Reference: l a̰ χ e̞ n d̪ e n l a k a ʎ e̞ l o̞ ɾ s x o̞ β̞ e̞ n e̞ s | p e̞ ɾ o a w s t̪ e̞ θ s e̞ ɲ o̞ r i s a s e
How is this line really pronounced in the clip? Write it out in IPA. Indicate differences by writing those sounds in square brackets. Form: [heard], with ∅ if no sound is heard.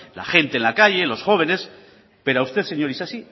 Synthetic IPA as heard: l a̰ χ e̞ n [t̪] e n l a k a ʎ e̞ l o̞ [∅] s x o̞ β̞ e̞ n e̞ s | p e̞ ɾ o a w s t̪ e̞ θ s e̞ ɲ o̞ [ɾ] i s a s [i]